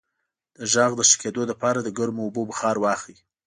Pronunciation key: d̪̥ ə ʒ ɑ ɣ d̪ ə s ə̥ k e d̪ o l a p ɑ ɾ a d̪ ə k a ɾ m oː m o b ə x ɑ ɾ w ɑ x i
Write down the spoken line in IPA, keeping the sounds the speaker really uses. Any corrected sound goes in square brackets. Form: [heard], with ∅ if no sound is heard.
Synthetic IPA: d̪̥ ə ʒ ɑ ɣ d̪ ə [ʃ] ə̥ k e d̪ o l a p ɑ ɾ a d̪ ə [ɡ] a ɾ m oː [b] o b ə x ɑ ɾ w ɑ x i